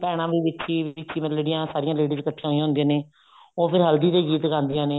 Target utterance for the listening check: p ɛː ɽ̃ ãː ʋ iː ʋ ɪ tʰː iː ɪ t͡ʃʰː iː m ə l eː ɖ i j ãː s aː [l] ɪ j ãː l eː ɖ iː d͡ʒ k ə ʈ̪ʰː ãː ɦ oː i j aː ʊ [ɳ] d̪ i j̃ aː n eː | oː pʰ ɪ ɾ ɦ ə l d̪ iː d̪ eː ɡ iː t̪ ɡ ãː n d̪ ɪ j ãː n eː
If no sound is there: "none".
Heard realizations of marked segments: ɾ, n

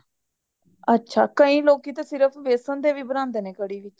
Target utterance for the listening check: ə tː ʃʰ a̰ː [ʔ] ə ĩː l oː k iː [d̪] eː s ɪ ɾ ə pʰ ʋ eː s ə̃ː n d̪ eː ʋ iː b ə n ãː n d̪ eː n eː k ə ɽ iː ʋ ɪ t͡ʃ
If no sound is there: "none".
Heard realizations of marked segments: k, t̪

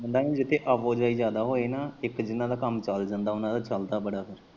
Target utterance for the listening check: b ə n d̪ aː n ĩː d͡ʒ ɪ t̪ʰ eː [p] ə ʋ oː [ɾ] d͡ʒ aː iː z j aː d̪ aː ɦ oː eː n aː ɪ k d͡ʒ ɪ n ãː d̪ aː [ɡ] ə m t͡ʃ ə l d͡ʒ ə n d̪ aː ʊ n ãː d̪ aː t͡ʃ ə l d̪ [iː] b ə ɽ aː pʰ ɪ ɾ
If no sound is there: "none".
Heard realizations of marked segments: ʔ, none, k, aː

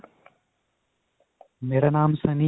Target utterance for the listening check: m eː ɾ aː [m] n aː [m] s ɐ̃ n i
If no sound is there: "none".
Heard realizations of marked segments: none, m

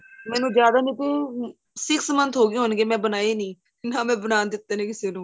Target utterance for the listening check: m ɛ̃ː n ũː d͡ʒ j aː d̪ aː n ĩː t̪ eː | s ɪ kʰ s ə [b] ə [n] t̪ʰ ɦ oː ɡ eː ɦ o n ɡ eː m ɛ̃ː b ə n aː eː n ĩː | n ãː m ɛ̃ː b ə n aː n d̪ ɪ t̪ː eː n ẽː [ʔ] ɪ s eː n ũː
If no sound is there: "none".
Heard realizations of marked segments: m, n, k

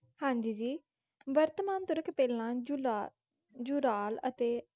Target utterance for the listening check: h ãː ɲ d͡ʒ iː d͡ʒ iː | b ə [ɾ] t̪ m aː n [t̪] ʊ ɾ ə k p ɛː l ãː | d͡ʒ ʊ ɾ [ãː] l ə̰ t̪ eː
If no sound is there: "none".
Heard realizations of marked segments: ɾ, t̪, aː

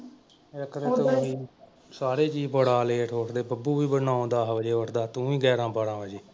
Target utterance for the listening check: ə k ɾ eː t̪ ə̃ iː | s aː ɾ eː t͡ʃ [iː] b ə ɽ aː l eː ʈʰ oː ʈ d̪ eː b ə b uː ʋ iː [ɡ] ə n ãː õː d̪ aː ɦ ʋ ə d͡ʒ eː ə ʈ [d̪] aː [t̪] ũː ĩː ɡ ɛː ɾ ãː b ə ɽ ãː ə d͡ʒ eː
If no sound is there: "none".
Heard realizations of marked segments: iː, b, d̪, t̪

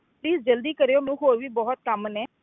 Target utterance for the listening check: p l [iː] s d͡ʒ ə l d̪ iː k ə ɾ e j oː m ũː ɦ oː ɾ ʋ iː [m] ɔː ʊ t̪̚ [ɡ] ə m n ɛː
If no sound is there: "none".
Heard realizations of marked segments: iː, b, k

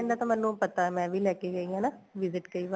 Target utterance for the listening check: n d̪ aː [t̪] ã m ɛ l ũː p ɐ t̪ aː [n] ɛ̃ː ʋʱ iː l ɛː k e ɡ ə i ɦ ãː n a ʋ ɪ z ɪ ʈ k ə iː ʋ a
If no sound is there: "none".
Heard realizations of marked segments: t̪, m

